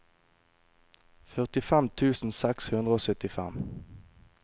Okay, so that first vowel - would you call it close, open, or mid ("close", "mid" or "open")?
mid